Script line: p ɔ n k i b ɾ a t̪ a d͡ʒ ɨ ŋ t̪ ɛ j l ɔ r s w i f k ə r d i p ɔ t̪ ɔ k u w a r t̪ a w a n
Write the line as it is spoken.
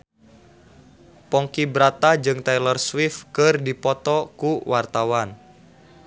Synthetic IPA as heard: p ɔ ŋ k i b ɾ a t̪ a d͡ʒ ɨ ŋ t̪ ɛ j l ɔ r s w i f k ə r d i p ɔ t̪ ɔ k u w a r t̪ a w a n